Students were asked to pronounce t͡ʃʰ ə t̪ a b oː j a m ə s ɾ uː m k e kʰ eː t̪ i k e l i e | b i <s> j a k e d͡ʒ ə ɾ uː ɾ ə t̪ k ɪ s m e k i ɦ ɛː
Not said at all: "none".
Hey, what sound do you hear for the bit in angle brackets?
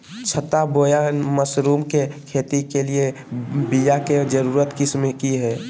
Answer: none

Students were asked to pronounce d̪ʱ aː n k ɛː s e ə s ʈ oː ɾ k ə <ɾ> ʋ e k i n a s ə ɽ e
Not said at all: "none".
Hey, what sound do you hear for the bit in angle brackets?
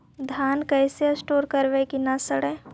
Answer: ɾ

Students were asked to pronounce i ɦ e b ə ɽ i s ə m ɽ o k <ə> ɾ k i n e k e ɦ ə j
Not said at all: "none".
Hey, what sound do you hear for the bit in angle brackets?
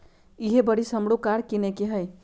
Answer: a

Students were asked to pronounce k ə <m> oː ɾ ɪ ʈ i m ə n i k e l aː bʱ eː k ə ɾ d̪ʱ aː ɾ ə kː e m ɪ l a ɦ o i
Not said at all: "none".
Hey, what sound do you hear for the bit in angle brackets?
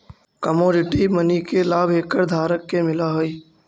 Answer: m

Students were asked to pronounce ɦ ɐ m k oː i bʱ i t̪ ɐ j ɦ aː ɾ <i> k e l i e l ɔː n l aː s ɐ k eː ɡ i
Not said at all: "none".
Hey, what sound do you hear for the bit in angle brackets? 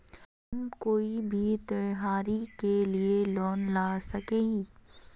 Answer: i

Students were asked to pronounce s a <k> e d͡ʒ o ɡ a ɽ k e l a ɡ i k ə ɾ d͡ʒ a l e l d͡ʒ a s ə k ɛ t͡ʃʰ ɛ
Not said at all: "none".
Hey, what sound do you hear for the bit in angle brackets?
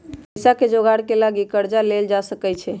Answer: k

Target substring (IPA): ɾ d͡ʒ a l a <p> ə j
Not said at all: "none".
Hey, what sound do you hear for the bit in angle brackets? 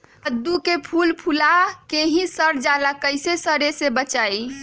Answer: k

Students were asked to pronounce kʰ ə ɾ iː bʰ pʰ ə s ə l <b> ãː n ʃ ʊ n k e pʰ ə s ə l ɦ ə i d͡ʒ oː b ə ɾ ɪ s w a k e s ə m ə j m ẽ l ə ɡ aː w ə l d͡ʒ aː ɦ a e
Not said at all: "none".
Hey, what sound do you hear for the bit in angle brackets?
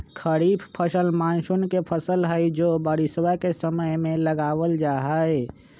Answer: m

